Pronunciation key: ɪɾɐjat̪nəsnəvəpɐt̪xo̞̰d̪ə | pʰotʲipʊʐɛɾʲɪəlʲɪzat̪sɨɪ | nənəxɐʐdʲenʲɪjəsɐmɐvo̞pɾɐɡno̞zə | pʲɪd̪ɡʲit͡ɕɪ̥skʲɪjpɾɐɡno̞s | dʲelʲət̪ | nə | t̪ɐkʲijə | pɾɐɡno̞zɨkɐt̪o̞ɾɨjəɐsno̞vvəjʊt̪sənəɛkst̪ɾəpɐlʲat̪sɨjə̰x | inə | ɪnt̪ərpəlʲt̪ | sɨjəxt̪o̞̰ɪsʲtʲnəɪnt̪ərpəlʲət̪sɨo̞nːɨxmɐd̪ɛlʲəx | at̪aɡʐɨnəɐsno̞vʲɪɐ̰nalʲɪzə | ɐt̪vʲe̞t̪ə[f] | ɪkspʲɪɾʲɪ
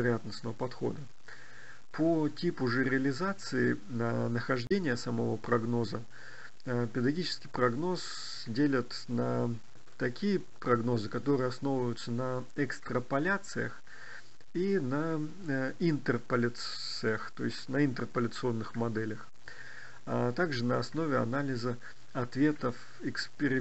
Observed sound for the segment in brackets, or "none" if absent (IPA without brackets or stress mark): f